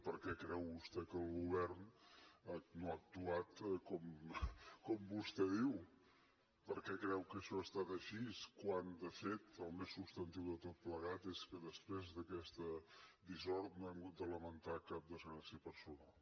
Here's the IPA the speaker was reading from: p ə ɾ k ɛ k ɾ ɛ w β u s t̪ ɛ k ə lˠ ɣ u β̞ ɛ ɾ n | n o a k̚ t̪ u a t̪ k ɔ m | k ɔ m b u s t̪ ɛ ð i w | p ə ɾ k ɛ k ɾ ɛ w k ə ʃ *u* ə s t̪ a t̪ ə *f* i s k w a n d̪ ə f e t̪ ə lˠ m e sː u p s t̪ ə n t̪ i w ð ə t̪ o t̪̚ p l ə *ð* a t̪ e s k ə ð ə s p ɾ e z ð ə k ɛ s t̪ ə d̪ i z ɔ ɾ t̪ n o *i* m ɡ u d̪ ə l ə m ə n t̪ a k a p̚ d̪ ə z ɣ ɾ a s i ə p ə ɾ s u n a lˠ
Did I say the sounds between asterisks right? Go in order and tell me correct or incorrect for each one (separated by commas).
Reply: incorrect, incorrect, incorrect, incorrect